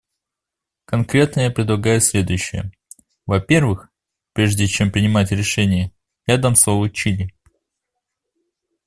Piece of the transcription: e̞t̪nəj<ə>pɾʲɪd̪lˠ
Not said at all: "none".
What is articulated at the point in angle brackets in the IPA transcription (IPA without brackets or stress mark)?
a